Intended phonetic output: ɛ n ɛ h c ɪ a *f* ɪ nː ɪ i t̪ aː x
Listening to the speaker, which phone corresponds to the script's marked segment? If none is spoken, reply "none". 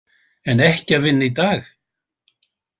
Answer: v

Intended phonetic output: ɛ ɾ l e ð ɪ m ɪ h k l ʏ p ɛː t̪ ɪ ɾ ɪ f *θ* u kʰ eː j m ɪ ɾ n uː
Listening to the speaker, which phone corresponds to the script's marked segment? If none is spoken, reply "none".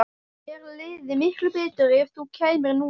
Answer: θ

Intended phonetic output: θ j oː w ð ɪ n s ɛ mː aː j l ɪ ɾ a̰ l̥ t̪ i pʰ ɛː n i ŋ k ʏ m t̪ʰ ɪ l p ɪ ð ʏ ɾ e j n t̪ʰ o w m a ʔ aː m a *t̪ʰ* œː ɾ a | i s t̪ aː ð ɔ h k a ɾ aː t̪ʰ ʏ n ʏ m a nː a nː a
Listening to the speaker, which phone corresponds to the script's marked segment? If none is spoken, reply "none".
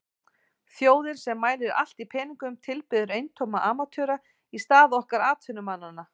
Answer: t̪ʰ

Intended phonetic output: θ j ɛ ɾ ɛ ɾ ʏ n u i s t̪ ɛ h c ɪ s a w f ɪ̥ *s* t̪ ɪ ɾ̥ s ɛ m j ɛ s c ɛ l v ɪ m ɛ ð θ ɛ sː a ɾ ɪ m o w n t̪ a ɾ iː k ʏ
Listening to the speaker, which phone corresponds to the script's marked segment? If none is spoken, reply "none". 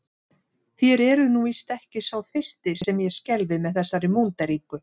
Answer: s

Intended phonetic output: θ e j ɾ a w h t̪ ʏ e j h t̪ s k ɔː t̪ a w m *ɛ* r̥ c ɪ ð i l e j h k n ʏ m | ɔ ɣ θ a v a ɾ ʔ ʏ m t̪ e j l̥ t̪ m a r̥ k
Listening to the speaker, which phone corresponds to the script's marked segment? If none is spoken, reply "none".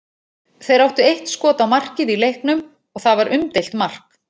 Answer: a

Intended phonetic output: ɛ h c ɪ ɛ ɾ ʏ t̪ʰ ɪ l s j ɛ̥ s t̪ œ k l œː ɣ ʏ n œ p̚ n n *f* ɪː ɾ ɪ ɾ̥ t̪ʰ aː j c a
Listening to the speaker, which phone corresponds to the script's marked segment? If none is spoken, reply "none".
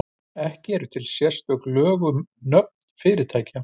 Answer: f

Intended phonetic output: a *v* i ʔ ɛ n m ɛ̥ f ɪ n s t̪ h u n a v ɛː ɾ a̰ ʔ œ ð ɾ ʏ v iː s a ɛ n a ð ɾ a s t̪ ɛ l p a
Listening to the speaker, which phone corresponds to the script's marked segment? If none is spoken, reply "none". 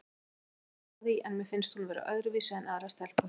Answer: ð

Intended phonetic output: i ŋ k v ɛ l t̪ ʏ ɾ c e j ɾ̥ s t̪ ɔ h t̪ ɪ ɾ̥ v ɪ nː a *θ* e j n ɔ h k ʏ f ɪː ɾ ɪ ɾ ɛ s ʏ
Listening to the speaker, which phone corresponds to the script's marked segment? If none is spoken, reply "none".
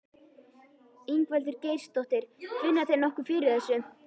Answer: θ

